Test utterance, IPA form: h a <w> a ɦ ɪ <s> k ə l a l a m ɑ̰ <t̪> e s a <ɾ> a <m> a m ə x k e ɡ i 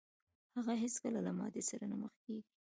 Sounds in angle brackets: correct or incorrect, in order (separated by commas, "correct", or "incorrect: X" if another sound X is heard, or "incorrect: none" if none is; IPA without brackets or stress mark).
incorrect: ɣ, correct, incorrect: d̪, correct, incorrect: n